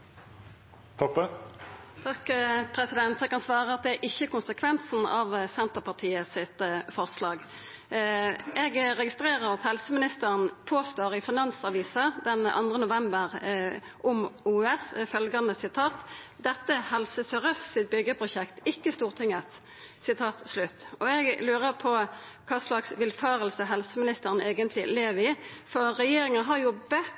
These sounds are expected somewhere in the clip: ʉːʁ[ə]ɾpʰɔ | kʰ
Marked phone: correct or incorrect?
correct